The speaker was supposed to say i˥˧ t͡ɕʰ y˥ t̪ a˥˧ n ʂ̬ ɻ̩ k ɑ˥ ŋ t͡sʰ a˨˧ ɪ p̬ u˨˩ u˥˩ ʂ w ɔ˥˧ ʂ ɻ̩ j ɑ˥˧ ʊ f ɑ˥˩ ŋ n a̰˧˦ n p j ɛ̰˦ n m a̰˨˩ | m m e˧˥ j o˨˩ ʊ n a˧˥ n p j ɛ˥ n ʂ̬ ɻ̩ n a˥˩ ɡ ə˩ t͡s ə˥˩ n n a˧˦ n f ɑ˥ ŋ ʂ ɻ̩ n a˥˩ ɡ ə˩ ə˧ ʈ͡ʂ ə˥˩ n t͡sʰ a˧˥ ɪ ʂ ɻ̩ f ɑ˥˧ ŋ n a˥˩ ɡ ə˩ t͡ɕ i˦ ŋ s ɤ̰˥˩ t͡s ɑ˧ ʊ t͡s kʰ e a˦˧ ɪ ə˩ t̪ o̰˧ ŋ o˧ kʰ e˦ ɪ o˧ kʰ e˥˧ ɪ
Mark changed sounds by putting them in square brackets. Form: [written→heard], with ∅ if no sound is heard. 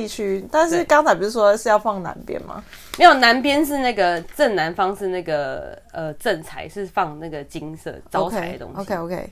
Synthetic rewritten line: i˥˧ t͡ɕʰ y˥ t̪ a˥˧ n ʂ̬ ɻ̩ k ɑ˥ ŋ t͡sʰ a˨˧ ɪ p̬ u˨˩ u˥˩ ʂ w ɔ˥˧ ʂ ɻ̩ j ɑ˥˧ ʊ f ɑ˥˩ ŋ n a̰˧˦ n p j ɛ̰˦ n m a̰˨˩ | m m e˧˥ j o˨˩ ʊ n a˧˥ n p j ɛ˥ n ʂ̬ ɻ̩ n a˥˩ ɡ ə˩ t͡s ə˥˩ n n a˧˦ n f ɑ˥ ŋ ʂ ɻ̩ n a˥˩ ɡ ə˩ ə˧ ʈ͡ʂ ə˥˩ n t͡sʰ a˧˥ ɪ ʂ ɻ̩ f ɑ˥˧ ŋ n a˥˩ ɡ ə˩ t͡ɕ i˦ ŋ s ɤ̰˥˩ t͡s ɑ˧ ʊ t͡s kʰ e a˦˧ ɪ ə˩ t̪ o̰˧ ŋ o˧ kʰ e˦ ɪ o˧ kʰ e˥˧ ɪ